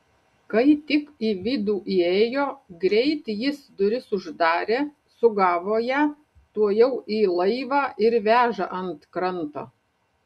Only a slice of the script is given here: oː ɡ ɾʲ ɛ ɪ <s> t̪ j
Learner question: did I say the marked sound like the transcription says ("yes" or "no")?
no